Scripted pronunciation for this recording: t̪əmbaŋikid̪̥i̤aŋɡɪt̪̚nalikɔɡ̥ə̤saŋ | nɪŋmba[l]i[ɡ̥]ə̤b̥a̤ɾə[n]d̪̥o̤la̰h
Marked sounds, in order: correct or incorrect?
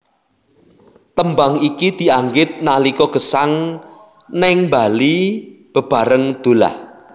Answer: correct, incorrect: b̥, incorrect: ŋ

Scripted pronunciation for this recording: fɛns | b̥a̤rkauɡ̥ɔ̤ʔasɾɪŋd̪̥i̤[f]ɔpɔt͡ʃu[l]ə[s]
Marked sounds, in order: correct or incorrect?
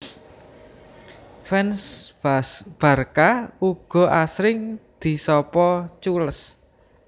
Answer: incorrect: s, correct, correct

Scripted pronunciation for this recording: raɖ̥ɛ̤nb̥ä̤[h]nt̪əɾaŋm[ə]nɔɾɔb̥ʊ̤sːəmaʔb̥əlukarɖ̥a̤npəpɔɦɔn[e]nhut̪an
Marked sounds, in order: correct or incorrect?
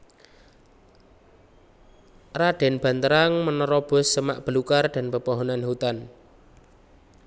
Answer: incorrect: none, correct, incorrect: a

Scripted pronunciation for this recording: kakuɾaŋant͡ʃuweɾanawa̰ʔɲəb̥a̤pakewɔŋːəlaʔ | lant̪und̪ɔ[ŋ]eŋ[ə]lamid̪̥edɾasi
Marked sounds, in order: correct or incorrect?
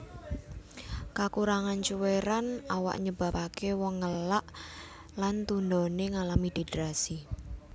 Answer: incorrect: n, incorrect: a

